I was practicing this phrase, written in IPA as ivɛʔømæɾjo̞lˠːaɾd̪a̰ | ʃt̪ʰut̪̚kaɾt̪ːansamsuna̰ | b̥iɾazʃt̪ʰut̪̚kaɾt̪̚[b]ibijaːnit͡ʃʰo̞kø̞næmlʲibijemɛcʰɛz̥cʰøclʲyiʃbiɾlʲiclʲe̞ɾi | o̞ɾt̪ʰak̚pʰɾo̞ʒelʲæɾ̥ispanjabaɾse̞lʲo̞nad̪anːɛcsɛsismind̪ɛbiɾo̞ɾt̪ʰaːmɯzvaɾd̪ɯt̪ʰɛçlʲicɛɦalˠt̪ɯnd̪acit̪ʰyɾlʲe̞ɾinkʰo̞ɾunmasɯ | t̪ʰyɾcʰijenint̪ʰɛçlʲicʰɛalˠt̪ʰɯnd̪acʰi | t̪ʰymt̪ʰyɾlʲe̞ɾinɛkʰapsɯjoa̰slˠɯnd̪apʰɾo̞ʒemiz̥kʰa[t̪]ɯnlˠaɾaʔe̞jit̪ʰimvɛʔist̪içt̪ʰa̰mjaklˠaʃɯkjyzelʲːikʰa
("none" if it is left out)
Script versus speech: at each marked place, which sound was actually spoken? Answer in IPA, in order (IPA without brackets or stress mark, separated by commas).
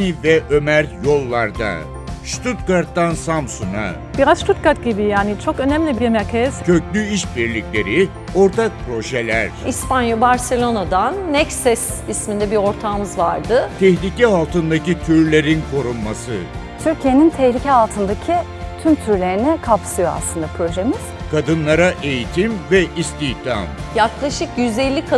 ɟ, d̪